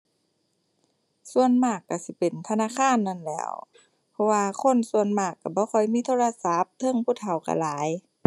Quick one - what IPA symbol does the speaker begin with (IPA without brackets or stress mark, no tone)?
s